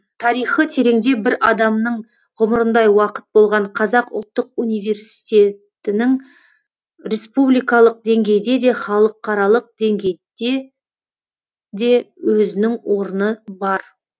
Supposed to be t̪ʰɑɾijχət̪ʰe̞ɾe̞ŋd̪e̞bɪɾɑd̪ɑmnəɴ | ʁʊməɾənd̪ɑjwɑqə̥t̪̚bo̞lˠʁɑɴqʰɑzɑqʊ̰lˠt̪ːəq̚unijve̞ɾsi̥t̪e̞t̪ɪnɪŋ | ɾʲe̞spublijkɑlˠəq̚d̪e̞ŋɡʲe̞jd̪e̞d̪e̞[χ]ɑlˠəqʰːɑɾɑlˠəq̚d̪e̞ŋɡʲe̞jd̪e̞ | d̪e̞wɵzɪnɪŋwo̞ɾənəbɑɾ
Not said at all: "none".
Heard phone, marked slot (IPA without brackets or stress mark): χ